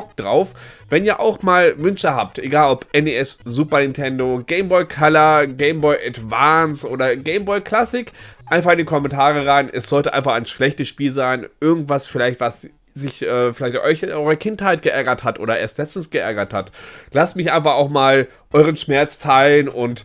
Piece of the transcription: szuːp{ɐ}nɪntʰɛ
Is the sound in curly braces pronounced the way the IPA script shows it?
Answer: yes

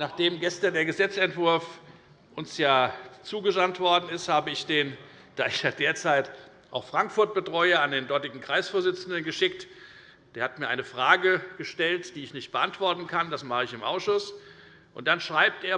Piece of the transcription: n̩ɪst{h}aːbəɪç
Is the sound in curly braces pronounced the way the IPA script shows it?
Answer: yes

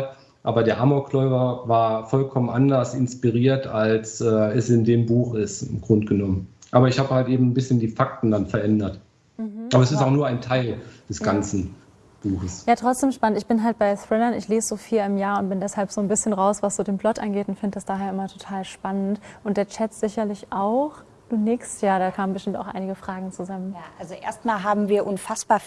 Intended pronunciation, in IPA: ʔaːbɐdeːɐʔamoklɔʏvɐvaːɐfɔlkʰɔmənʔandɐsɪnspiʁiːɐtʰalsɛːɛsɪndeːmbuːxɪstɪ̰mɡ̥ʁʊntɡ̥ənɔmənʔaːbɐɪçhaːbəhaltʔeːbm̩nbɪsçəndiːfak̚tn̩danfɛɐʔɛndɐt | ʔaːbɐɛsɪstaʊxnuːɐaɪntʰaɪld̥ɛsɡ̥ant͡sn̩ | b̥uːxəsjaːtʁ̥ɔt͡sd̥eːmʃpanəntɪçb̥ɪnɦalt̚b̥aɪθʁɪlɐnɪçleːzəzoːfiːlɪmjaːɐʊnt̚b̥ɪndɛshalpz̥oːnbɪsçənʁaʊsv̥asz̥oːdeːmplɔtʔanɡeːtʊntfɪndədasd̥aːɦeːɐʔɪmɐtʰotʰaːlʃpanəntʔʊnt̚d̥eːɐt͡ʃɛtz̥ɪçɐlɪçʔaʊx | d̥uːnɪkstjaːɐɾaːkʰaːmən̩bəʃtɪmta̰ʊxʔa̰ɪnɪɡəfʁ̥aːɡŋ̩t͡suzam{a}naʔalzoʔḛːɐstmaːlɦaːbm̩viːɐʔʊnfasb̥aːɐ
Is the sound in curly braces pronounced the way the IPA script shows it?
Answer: no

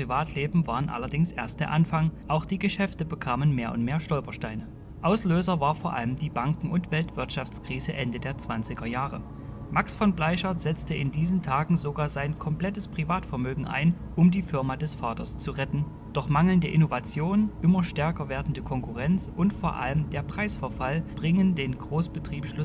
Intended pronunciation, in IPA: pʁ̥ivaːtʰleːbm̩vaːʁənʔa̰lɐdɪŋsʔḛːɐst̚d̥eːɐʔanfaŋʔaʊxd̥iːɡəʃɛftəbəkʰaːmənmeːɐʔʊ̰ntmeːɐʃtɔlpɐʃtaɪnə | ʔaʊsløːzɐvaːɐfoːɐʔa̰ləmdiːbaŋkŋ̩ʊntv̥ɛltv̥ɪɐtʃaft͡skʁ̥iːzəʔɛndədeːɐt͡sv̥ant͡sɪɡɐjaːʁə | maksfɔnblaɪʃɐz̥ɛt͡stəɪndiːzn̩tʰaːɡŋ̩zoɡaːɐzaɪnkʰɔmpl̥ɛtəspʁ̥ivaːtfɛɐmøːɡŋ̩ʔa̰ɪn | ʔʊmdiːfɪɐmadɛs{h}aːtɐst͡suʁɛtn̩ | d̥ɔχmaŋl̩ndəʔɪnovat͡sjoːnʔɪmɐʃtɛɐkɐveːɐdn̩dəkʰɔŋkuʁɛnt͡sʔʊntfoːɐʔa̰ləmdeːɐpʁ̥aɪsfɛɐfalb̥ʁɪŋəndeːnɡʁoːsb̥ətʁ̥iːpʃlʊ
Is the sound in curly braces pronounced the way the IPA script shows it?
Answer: no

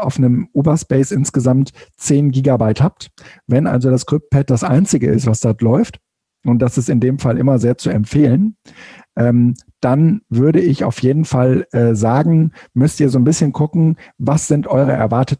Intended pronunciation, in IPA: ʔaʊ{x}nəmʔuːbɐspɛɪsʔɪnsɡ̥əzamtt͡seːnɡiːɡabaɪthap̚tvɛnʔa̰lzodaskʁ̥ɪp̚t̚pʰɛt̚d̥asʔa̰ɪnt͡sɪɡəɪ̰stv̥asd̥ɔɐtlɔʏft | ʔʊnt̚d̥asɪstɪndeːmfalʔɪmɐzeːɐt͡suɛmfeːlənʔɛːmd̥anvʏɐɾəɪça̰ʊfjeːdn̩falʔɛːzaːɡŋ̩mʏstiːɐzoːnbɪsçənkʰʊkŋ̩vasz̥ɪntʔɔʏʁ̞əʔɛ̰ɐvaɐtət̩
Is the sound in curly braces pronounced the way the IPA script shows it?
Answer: no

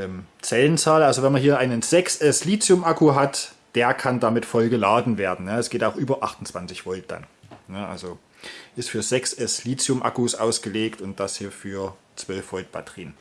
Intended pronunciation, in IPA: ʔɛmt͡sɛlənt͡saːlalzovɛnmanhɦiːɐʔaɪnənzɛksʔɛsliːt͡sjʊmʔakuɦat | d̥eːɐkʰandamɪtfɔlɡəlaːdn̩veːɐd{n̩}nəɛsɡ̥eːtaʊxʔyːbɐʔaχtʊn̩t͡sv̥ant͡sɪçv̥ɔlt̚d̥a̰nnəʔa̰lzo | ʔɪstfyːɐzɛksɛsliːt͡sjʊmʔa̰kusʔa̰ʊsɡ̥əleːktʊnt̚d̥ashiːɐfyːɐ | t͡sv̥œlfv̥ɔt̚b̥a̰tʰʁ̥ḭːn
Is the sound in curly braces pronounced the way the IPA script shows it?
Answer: yes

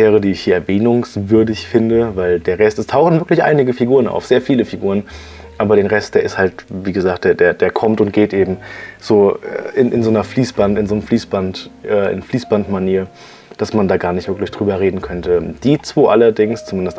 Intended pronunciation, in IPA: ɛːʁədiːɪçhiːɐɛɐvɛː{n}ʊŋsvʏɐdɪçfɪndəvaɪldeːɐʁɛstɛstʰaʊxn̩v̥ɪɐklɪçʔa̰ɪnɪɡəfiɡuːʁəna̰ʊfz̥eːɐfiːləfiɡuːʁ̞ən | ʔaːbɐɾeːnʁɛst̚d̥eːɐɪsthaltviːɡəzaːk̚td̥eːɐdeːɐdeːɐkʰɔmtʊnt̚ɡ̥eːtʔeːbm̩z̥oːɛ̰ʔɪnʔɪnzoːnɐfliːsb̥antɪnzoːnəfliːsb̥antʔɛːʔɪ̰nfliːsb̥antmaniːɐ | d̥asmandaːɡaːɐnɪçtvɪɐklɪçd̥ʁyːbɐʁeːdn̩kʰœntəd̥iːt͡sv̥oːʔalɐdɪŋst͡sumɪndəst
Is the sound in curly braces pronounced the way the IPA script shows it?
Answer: yes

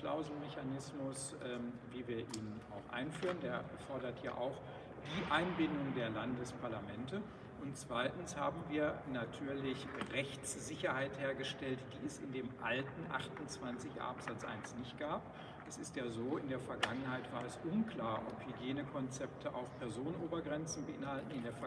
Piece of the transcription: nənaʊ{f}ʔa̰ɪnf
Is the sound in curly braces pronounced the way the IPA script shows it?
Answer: no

